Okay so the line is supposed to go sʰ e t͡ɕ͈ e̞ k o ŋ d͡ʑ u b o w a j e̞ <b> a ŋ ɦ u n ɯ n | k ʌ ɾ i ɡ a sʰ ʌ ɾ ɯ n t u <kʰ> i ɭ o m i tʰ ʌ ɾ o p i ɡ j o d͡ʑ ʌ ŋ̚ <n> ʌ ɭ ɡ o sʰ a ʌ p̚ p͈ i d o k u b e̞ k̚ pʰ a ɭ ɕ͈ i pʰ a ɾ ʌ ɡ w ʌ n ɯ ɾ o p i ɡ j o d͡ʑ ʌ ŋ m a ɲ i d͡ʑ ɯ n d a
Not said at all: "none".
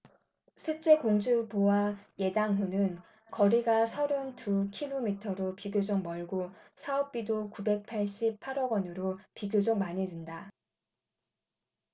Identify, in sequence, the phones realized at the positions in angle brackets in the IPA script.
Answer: d, kʰ, m

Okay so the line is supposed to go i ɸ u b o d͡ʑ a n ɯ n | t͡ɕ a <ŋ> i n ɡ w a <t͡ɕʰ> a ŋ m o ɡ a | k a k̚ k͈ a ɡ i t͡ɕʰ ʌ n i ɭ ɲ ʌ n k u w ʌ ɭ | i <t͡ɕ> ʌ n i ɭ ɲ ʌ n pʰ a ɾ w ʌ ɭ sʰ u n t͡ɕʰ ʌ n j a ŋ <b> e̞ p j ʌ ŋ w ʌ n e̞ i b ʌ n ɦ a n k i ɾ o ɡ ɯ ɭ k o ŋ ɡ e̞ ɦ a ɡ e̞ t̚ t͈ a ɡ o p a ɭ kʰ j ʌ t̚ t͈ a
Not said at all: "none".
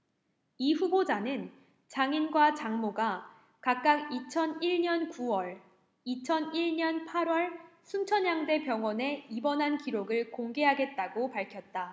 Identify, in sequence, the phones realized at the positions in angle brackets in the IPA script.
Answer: ŋ, t͡ɕ, t͡ɕʰ, d

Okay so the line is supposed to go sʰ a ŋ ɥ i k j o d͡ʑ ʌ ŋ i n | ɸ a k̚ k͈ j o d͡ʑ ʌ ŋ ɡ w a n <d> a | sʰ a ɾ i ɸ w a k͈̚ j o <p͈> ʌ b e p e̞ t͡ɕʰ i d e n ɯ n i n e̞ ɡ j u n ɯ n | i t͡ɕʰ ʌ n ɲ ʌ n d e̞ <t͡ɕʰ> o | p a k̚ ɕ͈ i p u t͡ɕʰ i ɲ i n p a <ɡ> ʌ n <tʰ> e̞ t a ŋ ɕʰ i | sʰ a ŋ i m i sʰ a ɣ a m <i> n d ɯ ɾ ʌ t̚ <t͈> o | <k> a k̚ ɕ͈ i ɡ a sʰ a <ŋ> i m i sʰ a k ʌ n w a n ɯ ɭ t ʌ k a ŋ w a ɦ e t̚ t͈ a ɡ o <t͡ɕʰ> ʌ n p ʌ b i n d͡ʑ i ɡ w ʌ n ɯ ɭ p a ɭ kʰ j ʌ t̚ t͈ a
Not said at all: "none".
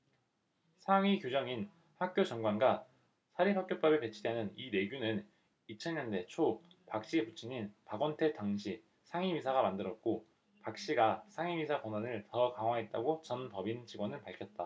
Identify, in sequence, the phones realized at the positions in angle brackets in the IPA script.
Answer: ɡ, p͈, t͡ɕʰ, ɡ, tʰ, a, k͈, p, ŋ, t͡ɕ

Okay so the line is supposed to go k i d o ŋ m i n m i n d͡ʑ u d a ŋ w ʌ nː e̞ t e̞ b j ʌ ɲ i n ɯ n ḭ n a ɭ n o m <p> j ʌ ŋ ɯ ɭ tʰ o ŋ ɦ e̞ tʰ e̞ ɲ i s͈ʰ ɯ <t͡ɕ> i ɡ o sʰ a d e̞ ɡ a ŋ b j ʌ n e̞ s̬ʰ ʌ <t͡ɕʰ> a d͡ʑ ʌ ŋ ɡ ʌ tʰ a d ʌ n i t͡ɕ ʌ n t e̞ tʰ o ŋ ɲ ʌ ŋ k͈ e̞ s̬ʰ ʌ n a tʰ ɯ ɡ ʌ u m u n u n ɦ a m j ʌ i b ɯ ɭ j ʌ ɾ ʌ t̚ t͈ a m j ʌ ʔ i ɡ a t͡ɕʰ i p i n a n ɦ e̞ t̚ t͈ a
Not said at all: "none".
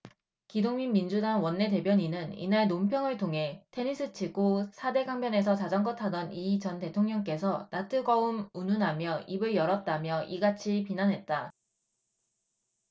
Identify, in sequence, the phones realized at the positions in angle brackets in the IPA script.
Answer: pʰ, t͡ɕʰ, t͡ɕ

